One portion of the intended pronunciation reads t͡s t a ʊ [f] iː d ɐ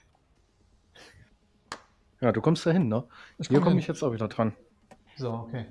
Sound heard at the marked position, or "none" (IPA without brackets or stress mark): v